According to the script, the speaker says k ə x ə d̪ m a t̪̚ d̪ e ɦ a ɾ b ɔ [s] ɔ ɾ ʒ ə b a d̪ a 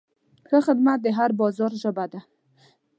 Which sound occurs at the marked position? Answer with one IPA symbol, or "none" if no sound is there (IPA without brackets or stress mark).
z